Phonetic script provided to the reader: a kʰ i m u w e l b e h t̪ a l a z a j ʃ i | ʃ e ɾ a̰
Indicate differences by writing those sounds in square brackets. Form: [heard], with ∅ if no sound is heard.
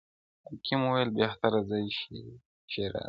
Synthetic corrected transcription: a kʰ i m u w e l b e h t̪ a [ɾ] a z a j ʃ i | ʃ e ɾ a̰